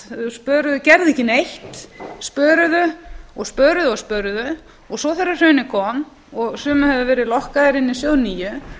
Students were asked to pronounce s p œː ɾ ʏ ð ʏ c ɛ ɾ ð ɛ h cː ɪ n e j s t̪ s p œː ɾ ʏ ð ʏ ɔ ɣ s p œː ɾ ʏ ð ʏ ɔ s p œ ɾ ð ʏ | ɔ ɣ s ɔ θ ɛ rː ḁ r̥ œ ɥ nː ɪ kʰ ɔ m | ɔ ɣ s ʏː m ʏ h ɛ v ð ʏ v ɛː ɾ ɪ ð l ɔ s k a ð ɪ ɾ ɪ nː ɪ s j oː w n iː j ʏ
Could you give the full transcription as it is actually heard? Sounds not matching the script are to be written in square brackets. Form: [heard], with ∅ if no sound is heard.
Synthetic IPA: s p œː ɾ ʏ ð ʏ c ɛ ɾ ð ɛ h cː ɪ n e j [h] t̪ s p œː ɾ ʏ ð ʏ ɔ ɣ s p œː ɾ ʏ ð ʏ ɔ s p œ ɾ ð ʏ | ɔ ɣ s ɔ θ ɛ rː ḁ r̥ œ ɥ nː ɪ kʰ ɔ m | ɔ ɣ s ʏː m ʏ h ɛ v ð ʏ v ɛː ɾ ɪ ð l ɔ [h] k a ð ɪ ɾ ɪ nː ɪ s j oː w n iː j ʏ